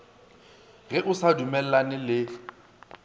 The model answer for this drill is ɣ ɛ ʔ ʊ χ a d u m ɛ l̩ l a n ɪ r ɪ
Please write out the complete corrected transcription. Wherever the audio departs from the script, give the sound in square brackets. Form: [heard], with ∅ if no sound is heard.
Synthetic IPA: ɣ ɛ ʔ ʊ [s] a d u m ɛ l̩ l a n ɪ [l] ɪ